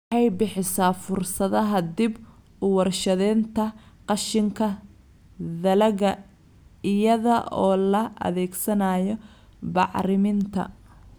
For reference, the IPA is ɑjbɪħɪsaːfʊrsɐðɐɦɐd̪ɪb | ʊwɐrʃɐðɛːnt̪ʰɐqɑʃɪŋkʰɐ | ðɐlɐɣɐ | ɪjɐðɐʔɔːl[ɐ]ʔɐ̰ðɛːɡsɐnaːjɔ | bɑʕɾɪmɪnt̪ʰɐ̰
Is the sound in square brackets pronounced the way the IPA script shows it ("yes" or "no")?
yes